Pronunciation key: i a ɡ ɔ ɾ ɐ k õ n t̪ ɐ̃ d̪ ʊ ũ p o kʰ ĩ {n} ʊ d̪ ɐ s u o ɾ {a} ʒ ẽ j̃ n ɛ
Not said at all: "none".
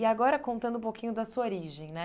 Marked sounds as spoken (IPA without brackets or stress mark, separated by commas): ɲ, i